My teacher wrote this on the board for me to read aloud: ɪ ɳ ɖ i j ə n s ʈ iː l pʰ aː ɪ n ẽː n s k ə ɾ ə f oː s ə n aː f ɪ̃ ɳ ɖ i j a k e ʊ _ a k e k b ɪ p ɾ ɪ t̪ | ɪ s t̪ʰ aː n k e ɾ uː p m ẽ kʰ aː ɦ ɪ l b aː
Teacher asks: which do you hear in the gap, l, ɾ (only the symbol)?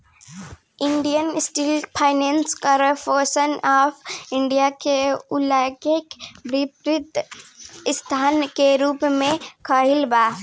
l